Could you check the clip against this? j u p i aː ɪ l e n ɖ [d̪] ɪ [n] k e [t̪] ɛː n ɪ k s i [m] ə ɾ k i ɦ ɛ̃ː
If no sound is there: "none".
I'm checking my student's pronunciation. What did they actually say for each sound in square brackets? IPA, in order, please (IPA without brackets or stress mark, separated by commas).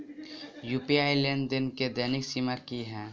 d̪, n, d̪, m